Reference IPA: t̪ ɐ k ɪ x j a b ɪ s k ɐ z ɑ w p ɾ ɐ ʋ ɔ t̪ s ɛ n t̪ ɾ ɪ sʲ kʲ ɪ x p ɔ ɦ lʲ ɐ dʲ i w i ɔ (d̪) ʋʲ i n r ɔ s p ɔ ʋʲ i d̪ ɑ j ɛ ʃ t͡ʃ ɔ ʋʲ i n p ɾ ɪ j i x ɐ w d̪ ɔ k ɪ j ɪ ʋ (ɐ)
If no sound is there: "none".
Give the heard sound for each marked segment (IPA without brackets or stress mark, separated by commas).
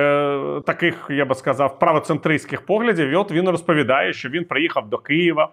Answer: t̪, ɐ